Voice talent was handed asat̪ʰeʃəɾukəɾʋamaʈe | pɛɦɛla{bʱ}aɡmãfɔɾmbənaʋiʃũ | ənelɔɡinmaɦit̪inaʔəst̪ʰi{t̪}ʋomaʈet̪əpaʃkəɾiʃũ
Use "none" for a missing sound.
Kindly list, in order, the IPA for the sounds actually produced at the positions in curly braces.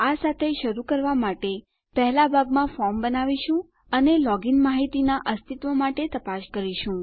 bʱ, t̪

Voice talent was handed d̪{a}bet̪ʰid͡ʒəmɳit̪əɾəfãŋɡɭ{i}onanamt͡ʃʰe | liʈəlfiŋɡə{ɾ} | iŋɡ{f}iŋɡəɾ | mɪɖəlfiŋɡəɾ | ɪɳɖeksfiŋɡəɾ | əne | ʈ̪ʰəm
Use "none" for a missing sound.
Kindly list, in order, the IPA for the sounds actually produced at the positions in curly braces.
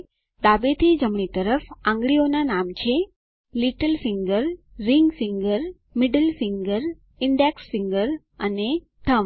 a, i, ɾː, f

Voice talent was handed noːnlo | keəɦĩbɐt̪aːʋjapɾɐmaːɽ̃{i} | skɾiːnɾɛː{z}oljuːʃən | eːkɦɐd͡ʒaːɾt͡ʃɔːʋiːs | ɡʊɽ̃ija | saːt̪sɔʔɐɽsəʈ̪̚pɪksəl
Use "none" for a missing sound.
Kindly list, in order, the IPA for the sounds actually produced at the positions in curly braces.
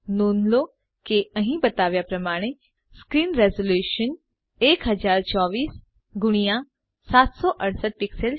e, z

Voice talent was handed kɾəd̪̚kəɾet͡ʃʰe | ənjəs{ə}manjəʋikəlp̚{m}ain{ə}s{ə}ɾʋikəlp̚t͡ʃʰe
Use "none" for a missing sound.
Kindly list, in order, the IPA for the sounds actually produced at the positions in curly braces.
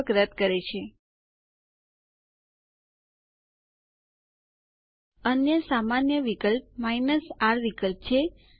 a, m, ə, a

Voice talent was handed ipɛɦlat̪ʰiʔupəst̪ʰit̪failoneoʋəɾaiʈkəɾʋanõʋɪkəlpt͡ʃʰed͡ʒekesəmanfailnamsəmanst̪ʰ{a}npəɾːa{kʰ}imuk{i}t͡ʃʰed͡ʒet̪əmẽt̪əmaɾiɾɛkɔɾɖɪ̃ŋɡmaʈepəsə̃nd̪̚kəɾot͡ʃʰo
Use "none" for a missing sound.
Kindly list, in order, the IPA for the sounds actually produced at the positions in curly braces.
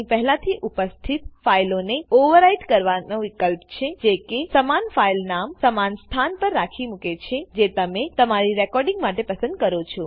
a, kʰ, e

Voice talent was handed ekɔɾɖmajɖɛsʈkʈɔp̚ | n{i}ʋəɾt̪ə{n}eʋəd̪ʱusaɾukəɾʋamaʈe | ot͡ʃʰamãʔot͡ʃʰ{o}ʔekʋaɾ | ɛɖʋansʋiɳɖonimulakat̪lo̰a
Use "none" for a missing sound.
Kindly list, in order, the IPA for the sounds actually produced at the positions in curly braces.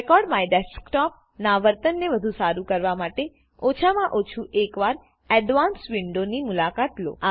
a, nː, u

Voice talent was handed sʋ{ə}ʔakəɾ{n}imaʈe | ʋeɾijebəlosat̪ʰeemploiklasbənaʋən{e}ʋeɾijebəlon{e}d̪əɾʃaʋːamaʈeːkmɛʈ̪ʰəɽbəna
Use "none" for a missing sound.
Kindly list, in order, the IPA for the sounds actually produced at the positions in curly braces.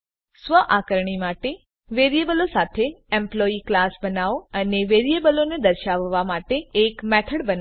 ə, ɳ, e, e

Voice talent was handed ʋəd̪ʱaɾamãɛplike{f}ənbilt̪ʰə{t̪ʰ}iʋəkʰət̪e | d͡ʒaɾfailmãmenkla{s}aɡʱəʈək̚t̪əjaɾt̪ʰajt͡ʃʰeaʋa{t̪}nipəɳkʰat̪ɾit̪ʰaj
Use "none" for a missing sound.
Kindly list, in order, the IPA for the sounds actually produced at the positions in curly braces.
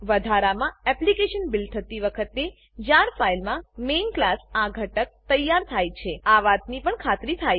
ʃ, t̪, s, t̪

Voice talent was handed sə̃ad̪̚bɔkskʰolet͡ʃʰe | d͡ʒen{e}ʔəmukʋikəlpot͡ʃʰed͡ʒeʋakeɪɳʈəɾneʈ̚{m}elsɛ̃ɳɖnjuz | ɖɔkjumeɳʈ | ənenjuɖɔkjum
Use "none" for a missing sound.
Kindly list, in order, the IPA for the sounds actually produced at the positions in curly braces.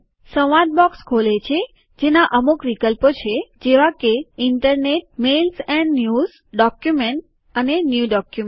a, m

